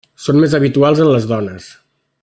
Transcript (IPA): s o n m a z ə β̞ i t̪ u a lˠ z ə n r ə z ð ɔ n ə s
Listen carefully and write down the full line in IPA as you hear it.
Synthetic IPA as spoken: s o n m e z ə β̞ i t̪ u a lˠ z ə n l ə z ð ɔ n ə s